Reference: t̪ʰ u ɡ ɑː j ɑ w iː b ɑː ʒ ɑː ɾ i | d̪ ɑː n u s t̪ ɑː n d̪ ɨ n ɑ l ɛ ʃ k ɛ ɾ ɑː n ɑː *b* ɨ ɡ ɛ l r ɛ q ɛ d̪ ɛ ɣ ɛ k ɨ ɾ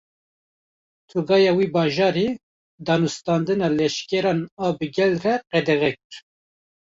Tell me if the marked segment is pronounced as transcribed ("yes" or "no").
yes